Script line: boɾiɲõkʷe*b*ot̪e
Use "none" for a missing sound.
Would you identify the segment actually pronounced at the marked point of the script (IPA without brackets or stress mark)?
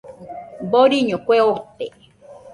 none